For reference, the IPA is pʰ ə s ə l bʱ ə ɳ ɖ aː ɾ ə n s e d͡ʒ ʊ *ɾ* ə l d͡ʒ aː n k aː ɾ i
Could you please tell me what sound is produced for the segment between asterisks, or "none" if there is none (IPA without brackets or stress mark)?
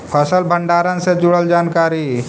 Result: ɽ